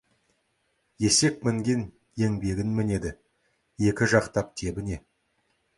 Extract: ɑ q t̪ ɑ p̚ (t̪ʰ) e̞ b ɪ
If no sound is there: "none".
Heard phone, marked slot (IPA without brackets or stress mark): t̪ʰ